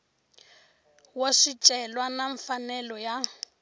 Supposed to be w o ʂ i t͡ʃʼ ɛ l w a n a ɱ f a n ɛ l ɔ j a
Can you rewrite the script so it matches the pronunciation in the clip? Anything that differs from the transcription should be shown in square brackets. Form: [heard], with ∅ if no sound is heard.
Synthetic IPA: w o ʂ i t͡ʃʼ ɛ l w a n a ɱ f a n ɛ l ɔ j a